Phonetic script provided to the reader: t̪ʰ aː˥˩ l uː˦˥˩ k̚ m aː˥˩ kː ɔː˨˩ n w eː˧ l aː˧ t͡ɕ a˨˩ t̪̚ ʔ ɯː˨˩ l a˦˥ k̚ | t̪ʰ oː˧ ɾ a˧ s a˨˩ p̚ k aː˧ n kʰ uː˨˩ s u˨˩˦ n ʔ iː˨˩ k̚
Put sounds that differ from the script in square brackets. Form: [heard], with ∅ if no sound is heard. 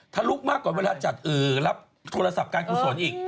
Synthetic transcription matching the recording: t̪ʰ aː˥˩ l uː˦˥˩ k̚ m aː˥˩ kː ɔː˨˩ n w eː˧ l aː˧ t͡ɕ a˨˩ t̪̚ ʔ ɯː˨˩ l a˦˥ [p̚] | t̪ʰ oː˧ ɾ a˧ s a˨˩ p̚ k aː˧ n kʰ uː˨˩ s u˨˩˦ n ʔ iː˨˩ k̚